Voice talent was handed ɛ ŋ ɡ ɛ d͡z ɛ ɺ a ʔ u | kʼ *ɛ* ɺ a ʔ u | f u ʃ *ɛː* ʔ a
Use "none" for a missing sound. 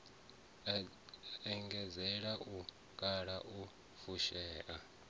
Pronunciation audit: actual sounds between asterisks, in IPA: a, ɛː

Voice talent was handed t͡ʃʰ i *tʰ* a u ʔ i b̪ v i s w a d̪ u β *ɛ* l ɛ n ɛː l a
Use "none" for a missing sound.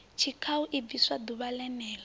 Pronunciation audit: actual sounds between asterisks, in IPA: kʰ, a

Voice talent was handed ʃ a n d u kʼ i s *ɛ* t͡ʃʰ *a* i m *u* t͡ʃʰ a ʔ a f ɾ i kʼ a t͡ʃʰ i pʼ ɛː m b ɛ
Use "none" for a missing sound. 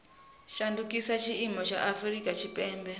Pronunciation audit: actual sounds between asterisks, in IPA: a, i, ɔ

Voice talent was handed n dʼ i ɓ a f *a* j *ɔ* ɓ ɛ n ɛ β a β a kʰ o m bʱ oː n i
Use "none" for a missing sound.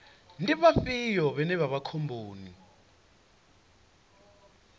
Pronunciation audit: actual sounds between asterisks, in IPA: i, ɔ

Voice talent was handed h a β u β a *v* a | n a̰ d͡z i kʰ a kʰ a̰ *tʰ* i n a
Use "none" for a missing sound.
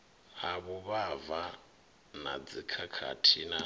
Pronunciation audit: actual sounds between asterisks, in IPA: v, tʰ

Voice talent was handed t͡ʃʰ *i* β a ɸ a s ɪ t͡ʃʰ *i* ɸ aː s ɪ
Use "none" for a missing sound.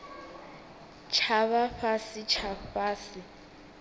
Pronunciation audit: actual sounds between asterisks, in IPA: a, a

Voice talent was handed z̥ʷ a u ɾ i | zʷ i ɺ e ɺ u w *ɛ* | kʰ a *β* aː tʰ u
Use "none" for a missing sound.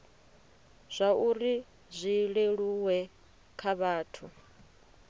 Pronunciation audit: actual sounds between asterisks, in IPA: ɛ, β

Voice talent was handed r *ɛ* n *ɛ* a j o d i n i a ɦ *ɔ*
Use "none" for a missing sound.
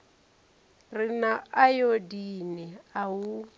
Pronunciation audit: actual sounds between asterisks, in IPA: i, a, u

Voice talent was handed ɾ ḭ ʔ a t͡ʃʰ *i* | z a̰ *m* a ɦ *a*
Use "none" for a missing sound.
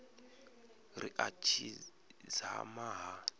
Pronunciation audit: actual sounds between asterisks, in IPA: i, m, a

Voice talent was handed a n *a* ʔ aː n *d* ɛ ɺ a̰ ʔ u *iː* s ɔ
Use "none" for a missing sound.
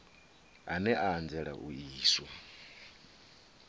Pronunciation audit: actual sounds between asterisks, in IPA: ɛ, d͡z, iː

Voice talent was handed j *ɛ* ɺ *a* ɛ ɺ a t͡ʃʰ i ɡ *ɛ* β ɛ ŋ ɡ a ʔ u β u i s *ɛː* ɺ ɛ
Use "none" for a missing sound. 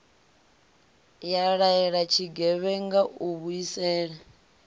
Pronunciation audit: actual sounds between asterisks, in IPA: a, a, ɛ, ɛː

